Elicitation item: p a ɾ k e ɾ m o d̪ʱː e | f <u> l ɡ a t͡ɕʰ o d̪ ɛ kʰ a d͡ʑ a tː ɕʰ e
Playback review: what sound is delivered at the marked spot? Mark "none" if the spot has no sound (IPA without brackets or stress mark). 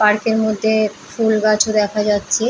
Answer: u